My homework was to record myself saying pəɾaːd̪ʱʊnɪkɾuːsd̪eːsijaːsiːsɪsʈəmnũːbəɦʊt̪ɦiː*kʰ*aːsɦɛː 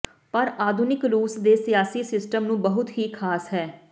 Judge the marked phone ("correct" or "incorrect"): correct